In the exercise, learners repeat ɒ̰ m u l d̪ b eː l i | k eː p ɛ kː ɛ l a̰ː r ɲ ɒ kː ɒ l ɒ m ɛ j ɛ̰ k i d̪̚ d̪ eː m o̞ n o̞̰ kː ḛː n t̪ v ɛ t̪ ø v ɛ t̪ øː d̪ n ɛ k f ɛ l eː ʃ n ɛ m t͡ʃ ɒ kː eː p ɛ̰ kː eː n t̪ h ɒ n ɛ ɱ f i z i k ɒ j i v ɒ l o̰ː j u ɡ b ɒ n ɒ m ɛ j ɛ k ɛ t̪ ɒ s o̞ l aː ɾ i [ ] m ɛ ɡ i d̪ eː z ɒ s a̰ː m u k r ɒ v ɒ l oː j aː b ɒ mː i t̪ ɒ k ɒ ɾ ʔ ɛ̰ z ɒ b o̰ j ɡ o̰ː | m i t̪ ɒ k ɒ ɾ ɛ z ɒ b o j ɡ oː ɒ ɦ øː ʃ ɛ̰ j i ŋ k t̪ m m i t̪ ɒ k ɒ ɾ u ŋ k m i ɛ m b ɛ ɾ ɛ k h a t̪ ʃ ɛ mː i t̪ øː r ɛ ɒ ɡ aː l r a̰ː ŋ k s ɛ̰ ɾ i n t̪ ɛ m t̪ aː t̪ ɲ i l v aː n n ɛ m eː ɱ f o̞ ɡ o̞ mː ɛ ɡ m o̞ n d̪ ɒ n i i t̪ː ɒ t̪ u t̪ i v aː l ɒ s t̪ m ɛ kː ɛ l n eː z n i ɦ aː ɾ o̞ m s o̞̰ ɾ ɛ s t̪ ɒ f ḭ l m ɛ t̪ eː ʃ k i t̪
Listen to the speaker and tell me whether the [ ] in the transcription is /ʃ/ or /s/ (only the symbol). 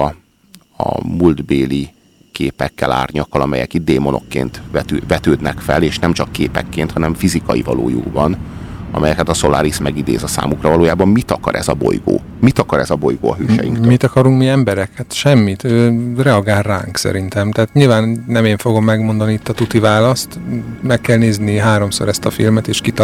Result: s